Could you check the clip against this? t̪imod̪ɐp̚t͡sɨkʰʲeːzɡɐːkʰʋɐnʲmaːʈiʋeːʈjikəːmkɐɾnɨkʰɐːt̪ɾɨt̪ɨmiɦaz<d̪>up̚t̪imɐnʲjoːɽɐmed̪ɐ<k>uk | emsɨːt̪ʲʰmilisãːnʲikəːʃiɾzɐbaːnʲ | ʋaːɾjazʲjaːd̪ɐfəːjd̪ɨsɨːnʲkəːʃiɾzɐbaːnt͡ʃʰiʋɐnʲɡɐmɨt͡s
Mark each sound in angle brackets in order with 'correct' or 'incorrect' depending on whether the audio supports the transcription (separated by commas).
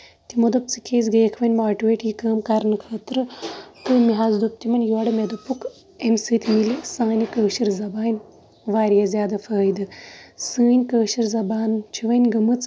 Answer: correct, incorrect